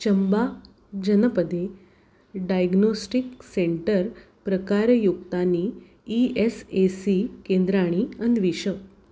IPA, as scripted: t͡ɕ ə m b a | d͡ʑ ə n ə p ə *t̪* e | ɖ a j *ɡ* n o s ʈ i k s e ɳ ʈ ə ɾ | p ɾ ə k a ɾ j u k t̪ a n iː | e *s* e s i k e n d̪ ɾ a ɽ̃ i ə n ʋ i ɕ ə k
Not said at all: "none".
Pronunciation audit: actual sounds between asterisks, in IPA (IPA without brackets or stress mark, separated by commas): d̪, ɡ, s